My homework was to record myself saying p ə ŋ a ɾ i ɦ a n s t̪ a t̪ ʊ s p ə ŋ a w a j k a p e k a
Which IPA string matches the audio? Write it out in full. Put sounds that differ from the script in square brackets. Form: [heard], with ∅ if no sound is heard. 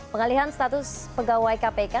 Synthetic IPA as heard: p ə ŋ a [l] i ɦ a n s t̪ a t̪ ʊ s p ə [ɡ] a w a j k a p e k a